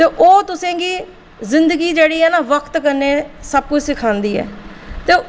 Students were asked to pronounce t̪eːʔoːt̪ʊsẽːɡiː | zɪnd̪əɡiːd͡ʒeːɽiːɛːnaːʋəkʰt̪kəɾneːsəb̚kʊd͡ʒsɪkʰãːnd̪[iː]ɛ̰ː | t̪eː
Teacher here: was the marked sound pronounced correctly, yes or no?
yes